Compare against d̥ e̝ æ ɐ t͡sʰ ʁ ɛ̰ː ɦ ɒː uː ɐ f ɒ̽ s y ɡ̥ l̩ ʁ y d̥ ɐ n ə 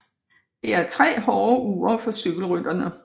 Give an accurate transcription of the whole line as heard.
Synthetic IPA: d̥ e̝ æ ɐ t͡sʰ ʁ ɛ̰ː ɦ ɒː uː ɐ f ɒ̽ s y ɡ̥ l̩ ʁ y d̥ ɐ n ə